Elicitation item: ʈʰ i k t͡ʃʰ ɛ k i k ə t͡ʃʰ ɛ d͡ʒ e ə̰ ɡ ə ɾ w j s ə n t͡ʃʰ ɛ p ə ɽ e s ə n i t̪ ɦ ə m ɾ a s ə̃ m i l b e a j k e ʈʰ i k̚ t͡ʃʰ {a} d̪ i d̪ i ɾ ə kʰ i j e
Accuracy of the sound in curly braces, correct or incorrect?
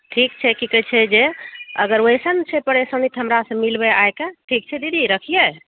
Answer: incorrect